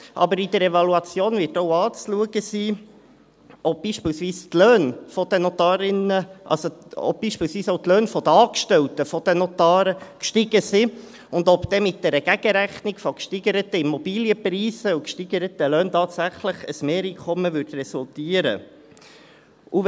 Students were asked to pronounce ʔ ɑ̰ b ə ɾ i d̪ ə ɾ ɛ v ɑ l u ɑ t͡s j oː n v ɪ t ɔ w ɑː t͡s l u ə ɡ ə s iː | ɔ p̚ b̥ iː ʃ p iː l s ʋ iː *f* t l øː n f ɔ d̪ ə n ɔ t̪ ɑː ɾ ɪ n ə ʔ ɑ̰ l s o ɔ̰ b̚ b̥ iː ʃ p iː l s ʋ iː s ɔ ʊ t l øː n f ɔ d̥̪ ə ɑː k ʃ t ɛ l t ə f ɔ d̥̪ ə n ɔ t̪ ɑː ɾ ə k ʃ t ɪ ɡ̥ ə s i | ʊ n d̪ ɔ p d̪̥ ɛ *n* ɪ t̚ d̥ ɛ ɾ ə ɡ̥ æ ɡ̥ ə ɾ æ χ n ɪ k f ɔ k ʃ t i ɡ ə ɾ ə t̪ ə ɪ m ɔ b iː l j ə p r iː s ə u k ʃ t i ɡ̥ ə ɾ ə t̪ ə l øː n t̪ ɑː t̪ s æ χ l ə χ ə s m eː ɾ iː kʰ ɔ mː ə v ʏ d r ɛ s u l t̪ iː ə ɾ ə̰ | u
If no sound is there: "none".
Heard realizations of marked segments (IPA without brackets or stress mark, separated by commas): s, m